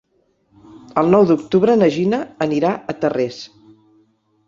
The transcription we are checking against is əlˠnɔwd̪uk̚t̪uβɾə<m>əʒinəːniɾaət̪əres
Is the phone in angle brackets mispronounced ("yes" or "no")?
yes